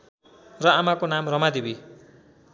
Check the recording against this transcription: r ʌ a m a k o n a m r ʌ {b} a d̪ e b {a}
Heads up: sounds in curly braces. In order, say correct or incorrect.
incorrect, incorrect

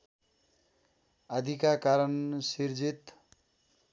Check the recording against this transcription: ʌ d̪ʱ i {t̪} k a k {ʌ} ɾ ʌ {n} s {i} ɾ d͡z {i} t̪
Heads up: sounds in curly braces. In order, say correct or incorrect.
incorrect, incorrect, correct, correct, correct

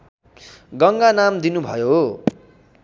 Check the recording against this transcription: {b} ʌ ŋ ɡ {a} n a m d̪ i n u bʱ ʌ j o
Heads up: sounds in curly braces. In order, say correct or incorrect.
incorrect, correct

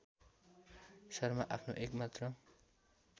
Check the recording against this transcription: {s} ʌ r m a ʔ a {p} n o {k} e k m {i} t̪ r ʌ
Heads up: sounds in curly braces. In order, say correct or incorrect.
correct, incorrect, incorrect, incorrect

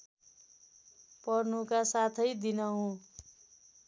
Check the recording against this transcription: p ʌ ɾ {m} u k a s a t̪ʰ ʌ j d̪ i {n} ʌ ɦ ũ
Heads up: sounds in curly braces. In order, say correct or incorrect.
incorrect, correct

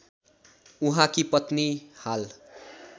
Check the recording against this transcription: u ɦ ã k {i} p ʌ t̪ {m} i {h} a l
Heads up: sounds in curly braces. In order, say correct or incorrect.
correct, incorrect, correct

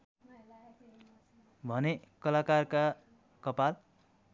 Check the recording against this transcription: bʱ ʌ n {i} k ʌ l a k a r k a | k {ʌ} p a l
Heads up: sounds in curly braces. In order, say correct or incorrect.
incorrect, correct

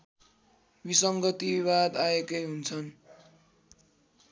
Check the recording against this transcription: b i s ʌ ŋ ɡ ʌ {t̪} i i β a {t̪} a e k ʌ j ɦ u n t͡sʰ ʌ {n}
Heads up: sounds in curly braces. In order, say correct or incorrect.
correct, incorrect, correct

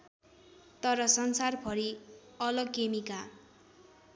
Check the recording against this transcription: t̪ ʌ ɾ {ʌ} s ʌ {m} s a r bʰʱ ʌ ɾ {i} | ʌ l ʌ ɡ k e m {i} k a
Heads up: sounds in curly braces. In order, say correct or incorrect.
correct, incorrect, correct, correct

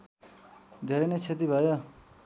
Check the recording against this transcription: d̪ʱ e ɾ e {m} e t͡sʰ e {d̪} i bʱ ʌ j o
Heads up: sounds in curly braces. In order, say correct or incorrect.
incorrect, incorrect

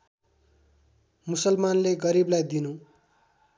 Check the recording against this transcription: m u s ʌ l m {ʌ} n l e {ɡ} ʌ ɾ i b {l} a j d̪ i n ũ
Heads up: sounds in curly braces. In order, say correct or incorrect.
incorrect, correct, correct

